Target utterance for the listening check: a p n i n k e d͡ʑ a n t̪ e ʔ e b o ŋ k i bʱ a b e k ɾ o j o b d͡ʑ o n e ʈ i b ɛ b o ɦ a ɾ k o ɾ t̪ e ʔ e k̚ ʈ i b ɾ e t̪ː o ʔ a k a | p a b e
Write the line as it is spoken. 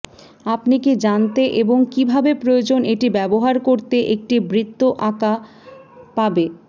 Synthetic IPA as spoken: a p n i k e d͡ʑ a n t̪ e ʔ e b o ŋ k i bʱ a b e p ɾ o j o d͡ʑ o n e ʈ i b ɛ b o ɦ a ɾ k o ɾ t̪ e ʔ e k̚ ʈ i b ɾ i t̪ː o ʔ a k a | p a b e